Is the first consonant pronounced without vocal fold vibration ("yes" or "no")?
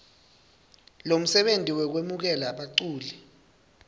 no